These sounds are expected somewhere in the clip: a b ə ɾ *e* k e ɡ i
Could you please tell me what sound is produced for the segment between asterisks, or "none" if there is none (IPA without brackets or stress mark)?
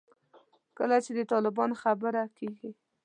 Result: a